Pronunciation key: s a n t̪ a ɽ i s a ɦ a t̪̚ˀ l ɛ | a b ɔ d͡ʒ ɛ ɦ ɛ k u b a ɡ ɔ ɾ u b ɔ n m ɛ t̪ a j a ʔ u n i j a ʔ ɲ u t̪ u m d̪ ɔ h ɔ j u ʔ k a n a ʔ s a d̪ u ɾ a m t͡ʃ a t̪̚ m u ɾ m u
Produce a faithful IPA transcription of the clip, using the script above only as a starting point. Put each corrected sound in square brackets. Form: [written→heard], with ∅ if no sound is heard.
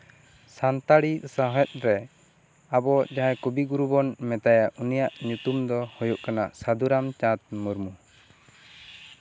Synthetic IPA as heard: s a n t̪ a ɽ i s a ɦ [a→ɛ] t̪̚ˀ [l→ɾ] ɛ | a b ɔ d͡ʒ [ɛ→a] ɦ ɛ k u b [a→i] ɡ [ɔ→u] ɾ u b ɔ n m ɛ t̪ a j a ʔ u n i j a ʔ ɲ u t̪ u m d̪ ɔ h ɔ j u ʔ k a n a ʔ s a d̪ u ɾ a m t͡ʃ a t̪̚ m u ɾ m u